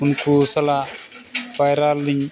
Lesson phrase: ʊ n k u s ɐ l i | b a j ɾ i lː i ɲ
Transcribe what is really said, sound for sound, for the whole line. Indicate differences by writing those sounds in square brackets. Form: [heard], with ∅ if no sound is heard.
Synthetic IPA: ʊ n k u s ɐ l [a] | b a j ɾ [a] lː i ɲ